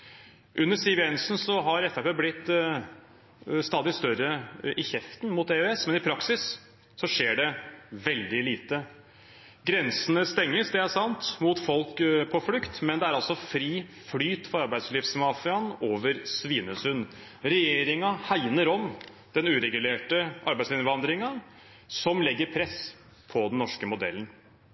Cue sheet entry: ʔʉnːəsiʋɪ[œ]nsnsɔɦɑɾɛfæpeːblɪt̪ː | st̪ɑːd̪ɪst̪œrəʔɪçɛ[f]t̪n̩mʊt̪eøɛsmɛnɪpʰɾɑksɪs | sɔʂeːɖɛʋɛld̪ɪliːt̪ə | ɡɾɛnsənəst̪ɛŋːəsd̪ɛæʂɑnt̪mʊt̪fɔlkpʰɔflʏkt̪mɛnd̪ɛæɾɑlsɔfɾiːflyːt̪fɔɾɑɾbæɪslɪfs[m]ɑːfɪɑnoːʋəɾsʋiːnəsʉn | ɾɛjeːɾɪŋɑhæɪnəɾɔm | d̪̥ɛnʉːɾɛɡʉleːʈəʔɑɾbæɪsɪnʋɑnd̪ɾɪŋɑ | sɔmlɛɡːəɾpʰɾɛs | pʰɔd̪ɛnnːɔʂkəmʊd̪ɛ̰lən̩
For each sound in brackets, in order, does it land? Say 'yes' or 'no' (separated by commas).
no, yes, yes